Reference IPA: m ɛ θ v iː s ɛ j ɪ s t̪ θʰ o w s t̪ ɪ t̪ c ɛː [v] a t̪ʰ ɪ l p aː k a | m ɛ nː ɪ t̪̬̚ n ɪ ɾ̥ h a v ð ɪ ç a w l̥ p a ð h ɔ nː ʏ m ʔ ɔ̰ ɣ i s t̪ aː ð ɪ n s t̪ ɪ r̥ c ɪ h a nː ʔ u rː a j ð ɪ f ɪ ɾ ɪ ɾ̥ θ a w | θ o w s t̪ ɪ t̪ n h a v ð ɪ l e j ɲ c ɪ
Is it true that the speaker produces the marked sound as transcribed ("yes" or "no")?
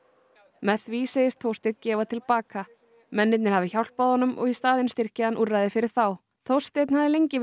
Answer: yes